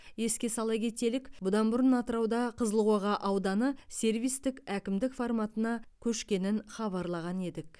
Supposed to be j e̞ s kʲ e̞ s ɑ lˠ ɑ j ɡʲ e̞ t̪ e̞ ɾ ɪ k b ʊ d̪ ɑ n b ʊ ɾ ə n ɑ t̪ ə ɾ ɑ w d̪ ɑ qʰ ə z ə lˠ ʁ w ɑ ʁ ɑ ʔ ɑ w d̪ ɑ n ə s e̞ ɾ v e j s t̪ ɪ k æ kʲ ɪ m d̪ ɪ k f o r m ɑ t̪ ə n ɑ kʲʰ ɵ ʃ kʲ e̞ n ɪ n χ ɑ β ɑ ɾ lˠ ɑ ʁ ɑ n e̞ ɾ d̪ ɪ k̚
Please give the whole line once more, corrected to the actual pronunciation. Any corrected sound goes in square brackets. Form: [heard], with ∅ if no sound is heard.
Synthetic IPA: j e̞ s kʲ e̞ s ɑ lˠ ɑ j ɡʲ e̞ t̪ e̞ [l] ɪ k b ʊ d̪ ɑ n b ʊ ɾ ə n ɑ t̪ ə ɾ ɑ w d̪ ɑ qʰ ə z ə lˠ ʁ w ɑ ʁ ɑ ʔ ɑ w d̪ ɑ n ə s e̞ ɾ v [i] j s t̪ ɪ k æ kʲ ɪ m d̪ ɪ k f o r m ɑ t̪ ə n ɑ kʲʰ ɵ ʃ kʲ e̞ n ɪ n χ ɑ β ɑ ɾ lˠ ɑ ʁ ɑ n e̞ [∅] d̪ ɪ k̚